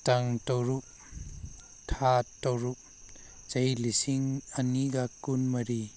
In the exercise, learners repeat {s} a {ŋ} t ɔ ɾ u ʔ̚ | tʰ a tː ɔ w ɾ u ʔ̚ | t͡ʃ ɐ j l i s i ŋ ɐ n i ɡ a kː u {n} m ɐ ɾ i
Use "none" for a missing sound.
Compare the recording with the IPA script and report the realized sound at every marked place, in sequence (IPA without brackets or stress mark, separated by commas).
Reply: t, ŋ, n